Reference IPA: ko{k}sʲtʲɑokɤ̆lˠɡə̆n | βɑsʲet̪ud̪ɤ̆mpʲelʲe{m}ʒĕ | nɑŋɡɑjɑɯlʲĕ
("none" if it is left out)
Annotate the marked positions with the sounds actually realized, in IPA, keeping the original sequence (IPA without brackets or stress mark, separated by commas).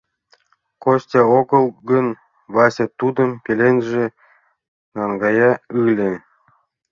none, n